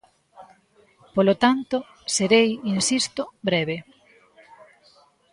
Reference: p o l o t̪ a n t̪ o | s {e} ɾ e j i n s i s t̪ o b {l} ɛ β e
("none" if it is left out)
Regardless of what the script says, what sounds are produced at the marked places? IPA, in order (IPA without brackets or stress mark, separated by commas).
e, ɾ